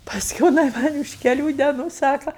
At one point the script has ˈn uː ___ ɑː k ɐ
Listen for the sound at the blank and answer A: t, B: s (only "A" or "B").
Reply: B